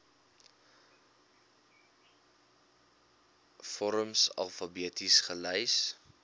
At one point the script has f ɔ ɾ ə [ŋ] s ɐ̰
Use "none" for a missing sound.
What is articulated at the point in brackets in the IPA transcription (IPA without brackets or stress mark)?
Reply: m